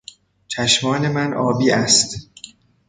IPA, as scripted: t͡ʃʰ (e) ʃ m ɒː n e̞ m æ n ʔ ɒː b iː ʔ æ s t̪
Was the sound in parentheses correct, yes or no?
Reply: no